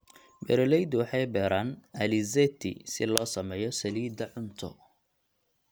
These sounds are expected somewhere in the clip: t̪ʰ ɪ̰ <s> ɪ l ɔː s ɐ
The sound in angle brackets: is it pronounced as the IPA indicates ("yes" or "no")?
yes